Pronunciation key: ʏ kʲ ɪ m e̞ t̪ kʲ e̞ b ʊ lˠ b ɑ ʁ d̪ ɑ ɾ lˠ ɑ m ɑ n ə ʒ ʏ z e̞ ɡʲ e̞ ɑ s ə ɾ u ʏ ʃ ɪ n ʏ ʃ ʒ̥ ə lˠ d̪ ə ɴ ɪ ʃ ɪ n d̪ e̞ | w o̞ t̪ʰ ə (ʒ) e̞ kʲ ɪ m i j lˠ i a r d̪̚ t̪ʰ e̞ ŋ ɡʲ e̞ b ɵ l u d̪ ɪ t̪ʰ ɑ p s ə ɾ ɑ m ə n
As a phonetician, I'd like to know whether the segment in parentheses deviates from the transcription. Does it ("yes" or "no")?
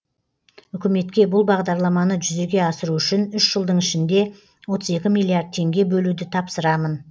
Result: yes